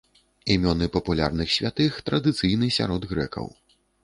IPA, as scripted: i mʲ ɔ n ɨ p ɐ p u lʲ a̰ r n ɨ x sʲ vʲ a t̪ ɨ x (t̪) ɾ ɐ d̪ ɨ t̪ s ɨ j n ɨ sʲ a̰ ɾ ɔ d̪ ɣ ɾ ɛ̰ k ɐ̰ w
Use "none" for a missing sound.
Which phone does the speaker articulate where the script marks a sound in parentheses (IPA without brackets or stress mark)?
t̪